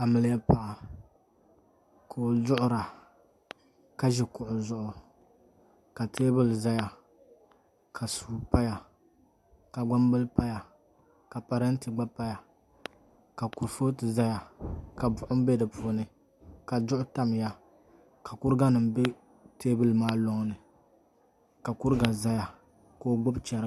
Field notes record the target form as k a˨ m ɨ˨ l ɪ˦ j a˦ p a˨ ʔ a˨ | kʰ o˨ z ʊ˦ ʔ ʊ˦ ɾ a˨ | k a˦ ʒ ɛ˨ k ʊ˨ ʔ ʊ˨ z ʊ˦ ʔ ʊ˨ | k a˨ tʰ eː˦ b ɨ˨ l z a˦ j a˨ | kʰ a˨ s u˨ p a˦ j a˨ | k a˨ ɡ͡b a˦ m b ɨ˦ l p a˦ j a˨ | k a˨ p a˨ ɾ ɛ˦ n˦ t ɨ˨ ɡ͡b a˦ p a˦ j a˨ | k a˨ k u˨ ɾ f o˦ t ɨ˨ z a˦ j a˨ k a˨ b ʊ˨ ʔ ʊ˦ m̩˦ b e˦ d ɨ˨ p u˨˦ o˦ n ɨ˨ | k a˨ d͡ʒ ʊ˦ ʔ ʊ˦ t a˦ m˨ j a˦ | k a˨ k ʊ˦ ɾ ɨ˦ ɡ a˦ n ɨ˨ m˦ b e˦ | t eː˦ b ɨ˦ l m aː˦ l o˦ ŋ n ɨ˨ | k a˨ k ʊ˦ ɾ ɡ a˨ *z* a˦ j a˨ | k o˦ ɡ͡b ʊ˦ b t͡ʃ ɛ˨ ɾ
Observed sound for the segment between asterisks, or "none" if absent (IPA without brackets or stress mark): z